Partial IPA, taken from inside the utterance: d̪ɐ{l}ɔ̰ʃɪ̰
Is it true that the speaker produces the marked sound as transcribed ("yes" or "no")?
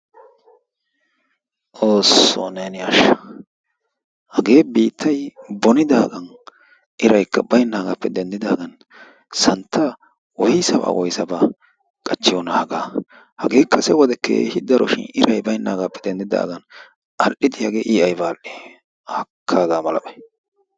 no